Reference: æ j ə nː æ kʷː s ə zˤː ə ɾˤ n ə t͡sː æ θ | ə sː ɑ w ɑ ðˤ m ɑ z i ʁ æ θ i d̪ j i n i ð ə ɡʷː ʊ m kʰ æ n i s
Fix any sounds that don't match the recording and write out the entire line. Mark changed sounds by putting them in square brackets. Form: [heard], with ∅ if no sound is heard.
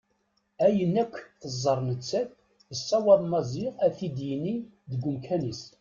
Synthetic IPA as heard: æ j ə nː æ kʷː [θ] ə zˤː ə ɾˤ n ə t͡sː æ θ | ə sː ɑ w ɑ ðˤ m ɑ z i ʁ æ θ i d̪ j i n i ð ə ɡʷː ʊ m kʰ æ n i s